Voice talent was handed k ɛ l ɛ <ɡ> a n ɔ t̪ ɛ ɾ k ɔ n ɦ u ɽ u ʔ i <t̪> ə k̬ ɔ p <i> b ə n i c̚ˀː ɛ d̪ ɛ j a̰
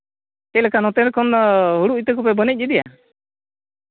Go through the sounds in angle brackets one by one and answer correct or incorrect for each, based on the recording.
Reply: incorrect: k, correct, incorrect: ɛ

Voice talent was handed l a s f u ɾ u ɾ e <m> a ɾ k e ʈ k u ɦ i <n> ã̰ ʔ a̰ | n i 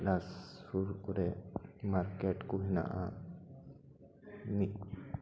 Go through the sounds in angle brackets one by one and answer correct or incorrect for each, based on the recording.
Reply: correct, correct

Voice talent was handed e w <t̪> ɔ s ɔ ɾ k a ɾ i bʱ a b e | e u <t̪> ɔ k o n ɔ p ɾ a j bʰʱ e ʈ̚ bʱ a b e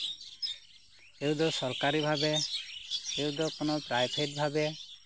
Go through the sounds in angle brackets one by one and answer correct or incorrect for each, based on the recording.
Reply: incorrect: d̪, incorrect: d̪

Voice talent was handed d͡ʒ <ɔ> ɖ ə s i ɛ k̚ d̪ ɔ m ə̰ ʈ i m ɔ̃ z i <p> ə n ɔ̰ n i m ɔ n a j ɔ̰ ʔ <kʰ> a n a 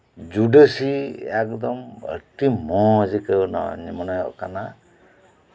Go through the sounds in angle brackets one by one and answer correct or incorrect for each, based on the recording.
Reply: incorrect: u, incorrect: k, incorrect: k

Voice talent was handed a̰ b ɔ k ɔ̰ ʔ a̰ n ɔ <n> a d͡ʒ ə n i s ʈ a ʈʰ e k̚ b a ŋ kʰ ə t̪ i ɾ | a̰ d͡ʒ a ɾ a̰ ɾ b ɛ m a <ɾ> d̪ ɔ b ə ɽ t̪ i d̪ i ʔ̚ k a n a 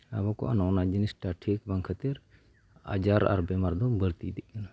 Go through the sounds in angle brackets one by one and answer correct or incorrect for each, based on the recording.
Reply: correct, correct

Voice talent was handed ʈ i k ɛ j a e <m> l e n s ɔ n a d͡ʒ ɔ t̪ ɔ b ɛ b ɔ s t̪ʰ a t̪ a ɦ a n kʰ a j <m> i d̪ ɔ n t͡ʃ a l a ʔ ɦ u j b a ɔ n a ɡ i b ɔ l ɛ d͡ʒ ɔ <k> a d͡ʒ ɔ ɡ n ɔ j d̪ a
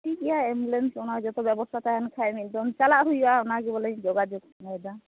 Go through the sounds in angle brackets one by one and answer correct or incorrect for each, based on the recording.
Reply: correct, correct, incorrect: ɡ

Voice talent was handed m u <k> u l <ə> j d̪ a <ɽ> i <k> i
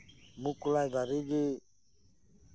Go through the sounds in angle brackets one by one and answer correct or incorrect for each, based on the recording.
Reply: correct, incorrect: a, incorrect: ɾ, incorrect: ɡ

